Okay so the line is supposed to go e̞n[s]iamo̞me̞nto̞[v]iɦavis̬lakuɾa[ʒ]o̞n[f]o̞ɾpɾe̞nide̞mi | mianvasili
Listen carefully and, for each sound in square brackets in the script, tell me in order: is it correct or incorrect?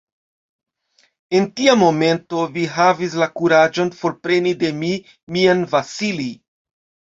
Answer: incorrect: t, correct, incorrect: d͡ʒ, correct

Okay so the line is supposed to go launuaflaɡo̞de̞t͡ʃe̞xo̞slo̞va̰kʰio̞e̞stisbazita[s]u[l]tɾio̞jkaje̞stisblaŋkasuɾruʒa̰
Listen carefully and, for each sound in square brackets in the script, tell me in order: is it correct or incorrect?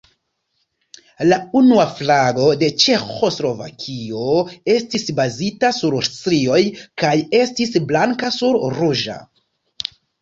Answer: correct, incorrect: ɾ

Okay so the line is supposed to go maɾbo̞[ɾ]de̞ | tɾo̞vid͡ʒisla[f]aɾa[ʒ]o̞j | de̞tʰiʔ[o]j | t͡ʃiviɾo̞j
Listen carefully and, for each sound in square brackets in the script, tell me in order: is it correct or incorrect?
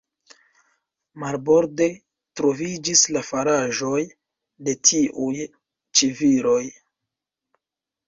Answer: correct, correct, correct, incorrect: u

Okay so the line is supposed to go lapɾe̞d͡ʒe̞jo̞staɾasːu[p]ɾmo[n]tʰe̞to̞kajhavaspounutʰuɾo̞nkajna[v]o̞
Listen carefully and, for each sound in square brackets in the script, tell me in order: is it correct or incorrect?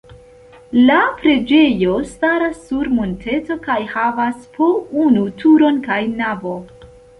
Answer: incorrect: none, correct, correct

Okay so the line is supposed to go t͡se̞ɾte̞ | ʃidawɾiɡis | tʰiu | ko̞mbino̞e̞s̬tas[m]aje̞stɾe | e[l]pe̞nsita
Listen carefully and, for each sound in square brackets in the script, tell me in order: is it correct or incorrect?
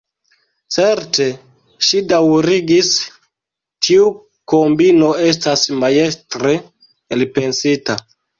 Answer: correct, correct

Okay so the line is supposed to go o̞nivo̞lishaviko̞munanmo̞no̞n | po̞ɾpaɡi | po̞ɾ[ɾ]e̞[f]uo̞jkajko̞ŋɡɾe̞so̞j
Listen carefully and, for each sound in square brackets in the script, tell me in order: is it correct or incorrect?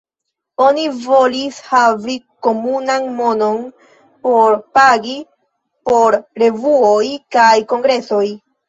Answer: correct, incorrect: v

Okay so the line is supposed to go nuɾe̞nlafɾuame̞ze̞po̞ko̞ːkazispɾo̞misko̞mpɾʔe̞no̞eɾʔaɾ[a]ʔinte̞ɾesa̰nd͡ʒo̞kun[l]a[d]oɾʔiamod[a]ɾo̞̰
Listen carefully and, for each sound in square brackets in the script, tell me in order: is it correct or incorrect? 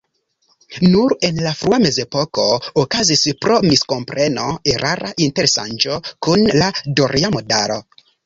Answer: correct, correct, correct, correct

